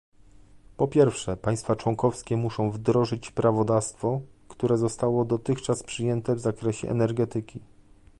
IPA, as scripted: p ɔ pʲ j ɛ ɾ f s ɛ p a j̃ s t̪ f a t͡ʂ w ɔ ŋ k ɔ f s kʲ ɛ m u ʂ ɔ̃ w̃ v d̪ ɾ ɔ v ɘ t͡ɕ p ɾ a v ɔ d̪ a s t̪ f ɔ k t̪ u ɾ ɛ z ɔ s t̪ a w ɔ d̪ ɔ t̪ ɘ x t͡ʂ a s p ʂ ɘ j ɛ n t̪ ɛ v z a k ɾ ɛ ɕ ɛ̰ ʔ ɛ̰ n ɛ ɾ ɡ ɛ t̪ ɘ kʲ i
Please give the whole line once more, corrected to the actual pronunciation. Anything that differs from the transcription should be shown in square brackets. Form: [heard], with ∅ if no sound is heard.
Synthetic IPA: p ɔ pʲ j ɛ ɾ f [ʂ] ɛ p a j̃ s t̪ f a t͡ʂ w ɔ ŋ k ɔ f s kʲ ɛ m u ʂ ɔ̃ w̃ v d̪ ɾ ɔ [ʐ] ɘ t͡ɕ p ɾ a v ɔ d̪ a s t̪ f ɔ k t̪ u ɾ ɛ z ɔ s t̪ a w ɔ d̪ ɔ t̪ ɘ x t͡ʂ a s p ʂ ɘ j ɛ n t̪ ɛ v z a k ɾ ɛ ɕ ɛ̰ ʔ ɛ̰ n ɛ ɾ ɡ ɛ t̪ ɘ kʲ i